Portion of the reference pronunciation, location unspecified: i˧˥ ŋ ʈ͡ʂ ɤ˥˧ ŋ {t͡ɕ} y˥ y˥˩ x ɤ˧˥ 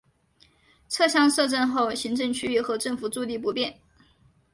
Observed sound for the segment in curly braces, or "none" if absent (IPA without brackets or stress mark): t͡ɕʰ